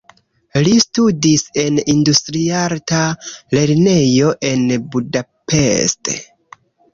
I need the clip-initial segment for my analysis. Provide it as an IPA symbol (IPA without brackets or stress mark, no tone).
l